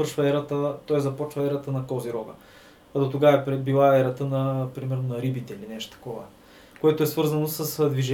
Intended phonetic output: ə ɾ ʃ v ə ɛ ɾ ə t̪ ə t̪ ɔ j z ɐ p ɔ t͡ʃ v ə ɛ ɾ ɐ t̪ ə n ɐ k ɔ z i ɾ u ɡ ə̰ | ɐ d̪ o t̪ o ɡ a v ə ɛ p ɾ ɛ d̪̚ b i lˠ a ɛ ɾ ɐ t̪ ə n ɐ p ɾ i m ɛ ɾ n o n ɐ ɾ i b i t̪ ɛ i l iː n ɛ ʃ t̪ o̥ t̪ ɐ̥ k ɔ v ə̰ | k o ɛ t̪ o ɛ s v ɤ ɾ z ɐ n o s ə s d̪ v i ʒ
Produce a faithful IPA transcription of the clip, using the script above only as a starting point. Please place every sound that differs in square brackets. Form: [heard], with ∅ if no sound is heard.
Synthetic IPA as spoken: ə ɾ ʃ v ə ɛ ɾ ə t̪ ə t̪ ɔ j z ɐ p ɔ t͡ʃ v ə ɛ ɾ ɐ t̪ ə n ɐ k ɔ z i ɾ [ɔ] ɡ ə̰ | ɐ d̪ o t̪ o ɡ a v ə ɛ p ɾ ɛ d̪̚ b i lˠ a ɛ ɾ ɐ t̪ ə n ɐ p ɾ i m ɛ ɾ n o n ɐ ɾ i b i t̪ ɛ i l [i] n ɛ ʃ t̪ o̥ t̪ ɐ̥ k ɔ v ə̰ | k o ɛ t̪ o ɛ s v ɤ ɾ z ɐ n o s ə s d̪ v i ʒ